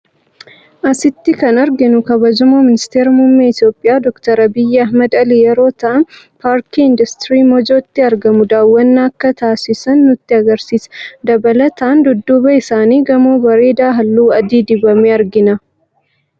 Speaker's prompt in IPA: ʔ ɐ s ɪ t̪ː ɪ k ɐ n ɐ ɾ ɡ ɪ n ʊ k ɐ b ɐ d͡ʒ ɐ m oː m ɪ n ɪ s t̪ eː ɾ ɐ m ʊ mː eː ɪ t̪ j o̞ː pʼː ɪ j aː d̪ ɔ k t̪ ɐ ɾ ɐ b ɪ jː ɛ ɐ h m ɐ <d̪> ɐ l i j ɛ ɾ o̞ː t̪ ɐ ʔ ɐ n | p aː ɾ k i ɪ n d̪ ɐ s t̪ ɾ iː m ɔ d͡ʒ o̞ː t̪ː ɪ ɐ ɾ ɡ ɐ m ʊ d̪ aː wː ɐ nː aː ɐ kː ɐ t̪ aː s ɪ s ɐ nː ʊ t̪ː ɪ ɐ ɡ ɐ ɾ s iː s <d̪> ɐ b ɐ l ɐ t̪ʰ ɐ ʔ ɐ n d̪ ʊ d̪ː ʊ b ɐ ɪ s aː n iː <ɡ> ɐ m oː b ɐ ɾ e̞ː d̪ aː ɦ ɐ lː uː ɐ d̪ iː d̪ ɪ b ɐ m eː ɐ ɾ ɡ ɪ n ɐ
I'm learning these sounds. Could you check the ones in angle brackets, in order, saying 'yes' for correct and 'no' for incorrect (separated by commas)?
yes, yes, yes